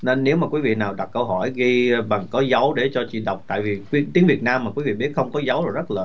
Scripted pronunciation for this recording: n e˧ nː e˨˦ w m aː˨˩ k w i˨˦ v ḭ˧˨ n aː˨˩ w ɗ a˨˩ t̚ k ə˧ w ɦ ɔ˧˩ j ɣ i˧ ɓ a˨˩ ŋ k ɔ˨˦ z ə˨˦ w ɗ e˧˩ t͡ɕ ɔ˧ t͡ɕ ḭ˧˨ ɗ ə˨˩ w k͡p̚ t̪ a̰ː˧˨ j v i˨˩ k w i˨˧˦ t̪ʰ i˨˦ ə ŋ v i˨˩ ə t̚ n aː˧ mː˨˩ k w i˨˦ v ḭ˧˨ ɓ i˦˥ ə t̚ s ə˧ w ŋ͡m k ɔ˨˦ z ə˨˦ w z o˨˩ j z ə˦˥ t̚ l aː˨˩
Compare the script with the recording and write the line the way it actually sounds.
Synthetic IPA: n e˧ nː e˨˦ w m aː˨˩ k w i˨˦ v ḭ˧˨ n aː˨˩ w ɗ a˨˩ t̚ k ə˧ w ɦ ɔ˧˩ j ɣ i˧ ɓ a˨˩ ŋ k ɔ˨˦ z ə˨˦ w ɗ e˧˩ t͡ɕ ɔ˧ t͡ɕ ḭ˧˨ ɗ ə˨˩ w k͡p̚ t̪ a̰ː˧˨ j v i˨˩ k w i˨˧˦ t̪ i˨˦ ə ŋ v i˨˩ ə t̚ n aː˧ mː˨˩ k w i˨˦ v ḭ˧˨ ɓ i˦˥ ə t̚ x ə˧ w ŋ͡m k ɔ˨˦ z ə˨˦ w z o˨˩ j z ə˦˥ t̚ l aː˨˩